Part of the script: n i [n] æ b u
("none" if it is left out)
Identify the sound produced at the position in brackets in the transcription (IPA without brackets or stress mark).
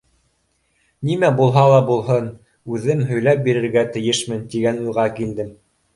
m